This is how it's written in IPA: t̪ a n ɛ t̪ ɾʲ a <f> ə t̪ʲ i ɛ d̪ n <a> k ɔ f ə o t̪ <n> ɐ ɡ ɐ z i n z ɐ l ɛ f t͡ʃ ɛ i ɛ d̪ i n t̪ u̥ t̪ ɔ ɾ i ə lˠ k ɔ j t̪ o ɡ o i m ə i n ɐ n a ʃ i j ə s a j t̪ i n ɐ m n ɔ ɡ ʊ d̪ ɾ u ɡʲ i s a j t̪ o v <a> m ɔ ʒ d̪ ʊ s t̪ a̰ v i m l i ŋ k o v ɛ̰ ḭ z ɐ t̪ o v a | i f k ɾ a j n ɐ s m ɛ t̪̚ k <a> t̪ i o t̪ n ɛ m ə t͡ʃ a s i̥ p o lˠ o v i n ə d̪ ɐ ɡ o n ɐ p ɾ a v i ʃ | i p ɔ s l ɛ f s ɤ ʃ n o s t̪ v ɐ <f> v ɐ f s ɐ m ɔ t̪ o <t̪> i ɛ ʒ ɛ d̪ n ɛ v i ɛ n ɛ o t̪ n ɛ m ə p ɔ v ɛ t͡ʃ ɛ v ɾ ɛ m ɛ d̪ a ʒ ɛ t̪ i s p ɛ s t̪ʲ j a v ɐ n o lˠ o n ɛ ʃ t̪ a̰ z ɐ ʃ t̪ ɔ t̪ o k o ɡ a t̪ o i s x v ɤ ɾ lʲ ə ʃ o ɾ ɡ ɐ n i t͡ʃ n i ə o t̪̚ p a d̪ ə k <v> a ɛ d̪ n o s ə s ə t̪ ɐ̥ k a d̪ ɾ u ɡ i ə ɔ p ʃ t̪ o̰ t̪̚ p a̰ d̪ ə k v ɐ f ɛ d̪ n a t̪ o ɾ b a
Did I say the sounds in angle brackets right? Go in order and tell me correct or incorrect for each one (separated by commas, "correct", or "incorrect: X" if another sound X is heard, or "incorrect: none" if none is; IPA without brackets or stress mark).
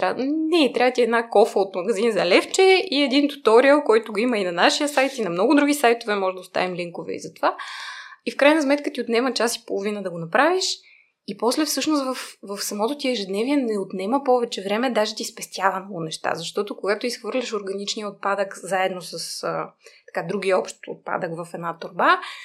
incorrect: v, correct, incorrect: m, incorrect: ɛ, incorrect: ə, correct, correct, incorrect: z